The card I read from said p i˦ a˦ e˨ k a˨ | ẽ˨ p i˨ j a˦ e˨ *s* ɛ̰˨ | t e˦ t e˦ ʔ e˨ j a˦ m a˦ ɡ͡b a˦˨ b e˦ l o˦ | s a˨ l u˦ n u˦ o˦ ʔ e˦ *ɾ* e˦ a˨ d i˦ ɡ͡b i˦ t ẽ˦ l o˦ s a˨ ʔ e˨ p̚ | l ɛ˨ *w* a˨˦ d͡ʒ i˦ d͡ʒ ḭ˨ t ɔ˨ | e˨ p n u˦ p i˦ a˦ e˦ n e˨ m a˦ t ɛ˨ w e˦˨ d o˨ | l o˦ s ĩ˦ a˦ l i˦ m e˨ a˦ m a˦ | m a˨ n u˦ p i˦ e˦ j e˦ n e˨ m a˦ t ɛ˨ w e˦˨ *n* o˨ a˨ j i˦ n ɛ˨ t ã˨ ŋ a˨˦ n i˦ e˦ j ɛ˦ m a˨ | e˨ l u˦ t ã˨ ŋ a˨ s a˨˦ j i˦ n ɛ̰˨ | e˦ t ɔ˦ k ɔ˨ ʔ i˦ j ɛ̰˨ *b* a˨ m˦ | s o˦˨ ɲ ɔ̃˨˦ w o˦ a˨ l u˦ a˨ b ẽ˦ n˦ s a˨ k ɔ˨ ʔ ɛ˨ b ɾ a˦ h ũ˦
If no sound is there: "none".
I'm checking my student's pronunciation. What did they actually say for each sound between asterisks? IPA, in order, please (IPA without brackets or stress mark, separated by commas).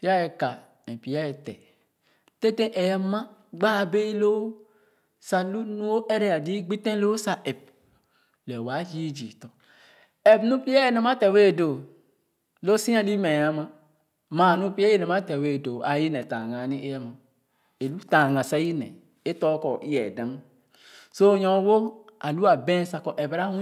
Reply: t, ɾ, w, d, d